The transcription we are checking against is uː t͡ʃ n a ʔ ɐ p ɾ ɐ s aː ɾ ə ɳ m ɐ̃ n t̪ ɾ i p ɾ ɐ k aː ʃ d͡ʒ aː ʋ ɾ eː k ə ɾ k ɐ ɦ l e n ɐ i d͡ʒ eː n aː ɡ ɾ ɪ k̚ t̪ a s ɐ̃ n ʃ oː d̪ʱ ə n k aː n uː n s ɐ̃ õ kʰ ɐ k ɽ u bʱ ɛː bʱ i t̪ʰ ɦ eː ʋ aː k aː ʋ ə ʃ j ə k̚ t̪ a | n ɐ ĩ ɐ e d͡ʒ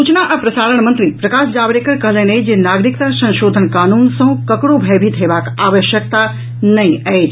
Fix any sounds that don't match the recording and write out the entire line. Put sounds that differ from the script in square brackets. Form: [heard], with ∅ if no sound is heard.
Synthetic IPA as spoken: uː t͡ʃ n a ʔ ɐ p ɾ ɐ s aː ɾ ə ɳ m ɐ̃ n t̪ ɾ i p ɾ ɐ k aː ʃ d͡ʒ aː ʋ ɾ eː k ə ɾ k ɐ ɦ l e n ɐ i d͡ʒ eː n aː ɡ ɾ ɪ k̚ t̪ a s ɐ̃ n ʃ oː d̪ʱ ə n k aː n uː n s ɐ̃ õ [k] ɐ k ɽ [o] bʱ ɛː bʱ i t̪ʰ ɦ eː ʋ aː k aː ʋ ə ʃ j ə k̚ t̪ a | n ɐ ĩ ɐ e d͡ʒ